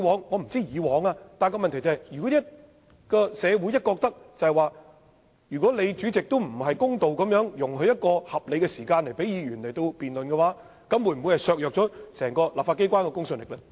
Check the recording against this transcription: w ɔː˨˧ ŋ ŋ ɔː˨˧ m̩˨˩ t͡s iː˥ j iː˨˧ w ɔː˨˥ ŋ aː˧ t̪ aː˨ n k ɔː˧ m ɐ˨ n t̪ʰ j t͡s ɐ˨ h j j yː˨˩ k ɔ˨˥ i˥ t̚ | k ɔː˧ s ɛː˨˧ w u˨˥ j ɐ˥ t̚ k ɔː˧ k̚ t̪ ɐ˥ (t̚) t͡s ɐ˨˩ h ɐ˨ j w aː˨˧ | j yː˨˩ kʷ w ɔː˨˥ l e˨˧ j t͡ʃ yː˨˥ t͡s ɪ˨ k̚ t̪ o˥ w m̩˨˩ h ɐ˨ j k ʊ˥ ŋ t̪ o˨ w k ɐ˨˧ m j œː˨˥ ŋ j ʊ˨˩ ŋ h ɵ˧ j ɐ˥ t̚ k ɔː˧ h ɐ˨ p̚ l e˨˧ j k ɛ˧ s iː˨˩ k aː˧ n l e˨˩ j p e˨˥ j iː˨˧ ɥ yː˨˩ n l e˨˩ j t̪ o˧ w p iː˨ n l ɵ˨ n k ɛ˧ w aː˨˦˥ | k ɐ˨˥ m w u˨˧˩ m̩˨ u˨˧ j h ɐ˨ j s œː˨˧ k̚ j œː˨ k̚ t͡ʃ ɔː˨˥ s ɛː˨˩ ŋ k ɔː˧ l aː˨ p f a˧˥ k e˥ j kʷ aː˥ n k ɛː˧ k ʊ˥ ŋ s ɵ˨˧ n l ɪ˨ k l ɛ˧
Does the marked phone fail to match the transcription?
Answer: yes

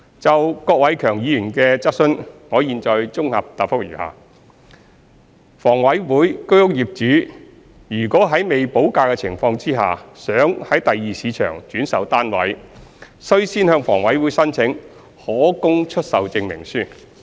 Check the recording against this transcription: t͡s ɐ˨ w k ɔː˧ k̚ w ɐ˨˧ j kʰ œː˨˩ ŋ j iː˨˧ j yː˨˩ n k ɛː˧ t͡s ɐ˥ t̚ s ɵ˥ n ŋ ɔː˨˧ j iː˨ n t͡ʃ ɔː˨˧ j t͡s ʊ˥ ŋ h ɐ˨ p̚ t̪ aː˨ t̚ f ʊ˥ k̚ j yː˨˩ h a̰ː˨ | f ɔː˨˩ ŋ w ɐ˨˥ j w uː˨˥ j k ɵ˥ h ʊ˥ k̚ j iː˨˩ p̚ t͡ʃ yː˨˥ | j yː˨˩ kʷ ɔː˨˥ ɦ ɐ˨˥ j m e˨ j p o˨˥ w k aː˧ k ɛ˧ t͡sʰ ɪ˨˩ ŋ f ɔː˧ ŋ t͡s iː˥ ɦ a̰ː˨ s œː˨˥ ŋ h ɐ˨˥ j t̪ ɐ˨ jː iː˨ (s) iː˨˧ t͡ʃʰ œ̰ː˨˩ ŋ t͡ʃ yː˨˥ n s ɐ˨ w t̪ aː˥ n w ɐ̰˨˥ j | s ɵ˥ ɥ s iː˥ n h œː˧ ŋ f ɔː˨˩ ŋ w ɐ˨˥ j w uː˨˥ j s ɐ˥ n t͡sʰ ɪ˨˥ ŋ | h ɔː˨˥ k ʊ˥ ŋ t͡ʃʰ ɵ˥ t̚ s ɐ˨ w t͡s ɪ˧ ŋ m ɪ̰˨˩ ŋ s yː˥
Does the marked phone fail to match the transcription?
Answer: no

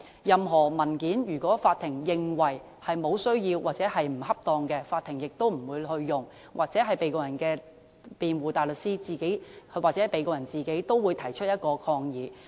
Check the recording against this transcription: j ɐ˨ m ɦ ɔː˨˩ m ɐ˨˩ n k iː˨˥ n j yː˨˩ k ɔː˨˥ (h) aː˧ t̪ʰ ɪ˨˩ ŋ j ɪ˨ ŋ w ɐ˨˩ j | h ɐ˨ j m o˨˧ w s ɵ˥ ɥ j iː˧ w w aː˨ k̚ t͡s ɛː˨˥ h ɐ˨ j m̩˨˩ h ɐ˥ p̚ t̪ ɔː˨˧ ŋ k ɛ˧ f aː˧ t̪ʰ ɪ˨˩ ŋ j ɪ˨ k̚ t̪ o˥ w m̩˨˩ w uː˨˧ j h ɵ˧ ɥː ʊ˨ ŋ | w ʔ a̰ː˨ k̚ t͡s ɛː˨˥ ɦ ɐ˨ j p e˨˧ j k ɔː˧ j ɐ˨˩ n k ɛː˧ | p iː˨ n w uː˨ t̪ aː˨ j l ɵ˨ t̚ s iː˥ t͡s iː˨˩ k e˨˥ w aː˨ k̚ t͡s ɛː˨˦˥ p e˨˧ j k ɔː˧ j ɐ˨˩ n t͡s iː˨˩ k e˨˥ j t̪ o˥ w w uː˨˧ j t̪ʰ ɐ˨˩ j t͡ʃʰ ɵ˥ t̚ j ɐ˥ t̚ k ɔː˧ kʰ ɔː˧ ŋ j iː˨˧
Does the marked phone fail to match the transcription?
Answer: yes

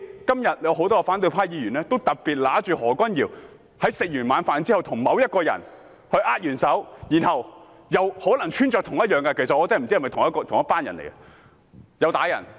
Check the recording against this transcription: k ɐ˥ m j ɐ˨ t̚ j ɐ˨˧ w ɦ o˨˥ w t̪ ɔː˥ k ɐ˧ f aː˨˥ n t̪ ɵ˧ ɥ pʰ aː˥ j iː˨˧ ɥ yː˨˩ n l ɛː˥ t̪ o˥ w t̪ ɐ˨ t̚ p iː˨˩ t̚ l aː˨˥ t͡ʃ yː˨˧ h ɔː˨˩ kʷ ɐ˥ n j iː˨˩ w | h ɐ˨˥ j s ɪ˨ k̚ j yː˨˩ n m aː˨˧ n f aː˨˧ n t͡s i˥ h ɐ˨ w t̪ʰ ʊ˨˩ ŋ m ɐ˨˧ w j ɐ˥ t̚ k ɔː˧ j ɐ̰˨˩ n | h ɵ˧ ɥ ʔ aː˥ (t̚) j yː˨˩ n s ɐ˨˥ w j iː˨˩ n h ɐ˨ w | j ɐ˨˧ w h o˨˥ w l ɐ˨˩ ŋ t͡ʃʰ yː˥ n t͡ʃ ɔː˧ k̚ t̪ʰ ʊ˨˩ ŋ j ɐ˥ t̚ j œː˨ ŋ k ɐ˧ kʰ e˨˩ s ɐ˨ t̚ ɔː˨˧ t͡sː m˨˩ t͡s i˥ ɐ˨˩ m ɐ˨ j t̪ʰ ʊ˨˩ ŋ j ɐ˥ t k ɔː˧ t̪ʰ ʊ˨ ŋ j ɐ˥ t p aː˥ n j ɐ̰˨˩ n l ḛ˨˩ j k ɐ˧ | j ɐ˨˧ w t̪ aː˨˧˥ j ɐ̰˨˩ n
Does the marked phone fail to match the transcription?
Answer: no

